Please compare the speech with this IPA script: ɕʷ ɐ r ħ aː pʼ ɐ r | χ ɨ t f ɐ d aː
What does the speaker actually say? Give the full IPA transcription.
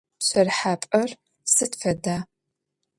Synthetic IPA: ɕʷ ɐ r ħ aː pʼ ɐ r | s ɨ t f ɐ d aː